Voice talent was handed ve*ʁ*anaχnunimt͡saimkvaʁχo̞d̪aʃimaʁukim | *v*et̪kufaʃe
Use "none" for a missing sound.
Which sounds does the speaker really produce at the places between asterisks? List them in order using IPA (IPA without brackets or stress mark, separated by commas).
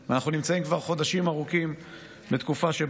none, b